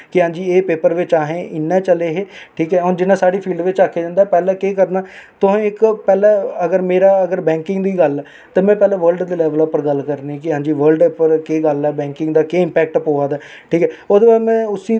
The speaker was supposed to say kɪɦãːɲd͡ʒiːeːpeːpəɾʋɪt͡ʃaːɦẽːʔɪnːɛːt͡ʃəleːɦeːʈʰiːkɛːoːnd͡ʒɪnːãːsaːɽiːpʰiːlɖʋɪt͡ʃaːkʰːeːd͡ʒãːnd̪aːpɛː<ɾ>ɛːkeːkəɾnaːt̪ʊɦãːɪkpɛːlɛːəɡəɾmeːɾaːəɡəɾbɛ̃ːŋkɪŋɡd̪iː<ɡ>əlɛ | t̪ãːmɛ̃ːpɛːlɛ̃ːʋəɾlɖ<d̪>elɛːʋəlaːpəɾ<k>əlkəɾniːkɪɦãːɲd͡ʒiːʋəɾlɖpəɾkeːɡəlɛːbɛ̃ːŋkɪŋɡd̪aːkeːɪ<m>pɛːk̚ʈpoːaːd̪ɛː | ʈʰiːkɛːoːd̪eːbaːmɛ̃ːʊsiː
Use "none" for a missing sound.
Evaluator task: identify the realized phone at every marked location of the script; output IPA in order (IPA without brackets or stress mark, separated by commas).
l, ɡ, d̪, ɡ, m